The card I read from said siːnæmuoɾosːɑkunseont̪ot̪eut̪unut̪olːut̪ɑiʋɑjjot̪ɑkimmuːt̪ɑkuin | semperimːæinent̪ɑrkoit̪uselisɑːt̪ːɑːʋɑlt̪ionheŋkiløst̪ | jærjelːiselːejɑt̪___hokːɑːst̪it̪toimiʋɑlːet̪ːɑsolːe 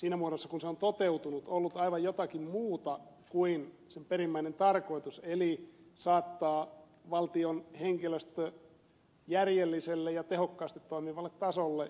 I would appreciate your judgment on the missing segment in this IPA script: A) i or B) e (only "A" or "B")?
B